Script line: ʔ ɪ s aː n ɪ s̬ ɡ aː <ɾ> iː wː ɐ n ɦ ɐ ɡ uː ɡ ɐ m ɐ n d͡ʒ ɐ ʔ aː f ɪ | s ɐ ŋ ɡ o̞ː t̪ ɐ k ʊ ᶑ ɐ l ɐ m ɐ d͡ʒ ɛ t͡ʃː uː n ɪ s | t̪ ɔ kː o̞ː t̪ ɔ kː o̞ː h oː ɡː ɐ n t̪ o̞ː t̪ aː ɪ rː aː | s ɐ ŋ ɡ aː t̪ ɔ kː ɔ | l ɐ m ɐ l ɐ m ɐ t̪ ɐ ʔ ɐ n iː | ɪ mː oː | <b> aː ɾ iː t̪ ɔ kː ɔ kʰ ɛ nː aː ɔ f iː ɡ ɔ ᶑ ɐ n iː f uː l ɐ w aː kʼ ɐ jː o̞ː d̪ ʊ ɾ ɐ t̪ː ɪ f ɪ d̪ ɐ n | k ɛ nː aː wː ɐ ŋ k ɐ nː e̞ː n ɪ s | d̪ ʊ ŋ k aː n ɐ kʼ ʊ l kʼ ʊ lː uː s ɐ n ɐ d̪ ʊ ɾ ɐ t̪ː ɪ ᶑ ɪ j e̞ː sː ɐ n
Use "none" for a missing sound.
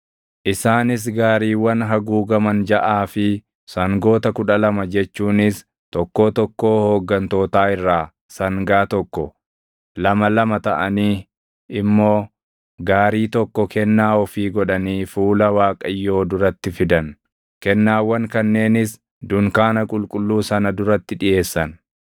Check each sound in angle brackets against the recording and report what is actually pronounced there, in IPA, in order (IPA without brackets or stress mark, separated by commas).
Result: ɾ, ɡ